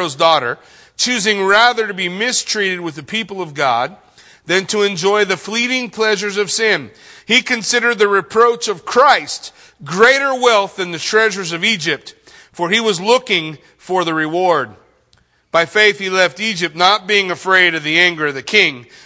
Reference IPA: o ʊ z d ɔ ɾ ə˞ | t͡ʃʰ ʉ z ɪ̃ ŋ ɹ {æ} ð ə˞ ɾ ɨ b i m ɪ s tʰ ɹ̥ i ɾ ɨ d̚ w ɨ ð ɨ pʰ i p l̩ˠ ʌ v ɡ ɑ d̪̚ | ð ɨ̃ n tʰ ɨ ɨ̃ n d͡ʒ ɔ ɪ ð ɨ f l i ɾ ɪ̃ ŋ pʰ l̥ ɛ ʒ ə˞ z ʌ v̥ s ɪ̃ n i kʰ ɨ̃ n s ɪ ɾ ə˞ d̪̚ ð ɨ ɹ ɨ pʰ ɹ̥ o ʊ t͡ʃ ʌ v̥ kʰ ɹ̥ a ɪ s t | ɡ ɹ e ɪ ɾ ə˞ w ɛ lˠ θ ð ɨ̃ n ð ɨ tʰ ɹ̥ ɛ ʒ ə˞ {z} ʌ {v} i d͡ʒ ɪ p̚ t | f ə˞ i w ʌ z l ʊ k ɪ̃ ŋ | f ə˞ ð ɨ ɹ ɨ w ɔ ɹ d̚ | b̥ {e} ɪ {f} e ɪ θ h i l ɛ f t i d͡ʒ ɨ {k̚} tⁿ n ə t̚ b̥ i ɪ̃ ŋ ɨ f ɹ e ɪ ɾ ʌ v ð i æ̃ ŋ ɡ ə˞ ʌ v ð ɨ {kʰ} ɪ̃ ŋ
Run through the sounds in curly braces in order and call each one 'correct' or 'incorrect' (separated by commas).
correct, correct, correct, incorrect, correct, incorrect, correct